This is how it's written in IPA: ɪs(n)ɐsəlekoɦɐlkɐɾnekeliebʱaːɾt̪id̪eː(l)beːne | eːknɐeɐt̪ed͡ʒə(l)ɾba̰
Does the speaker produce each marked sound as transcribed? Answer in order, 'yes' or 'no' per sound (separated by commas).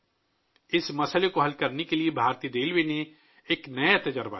no, yes, no